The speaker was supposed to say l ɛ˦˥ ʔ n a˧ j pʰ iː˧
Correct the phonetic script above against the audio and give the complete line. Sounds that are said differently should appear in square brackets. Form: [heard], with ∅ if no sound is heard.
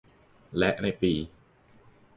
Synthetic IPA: l ɛ˦˥ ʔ n a˧ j [p] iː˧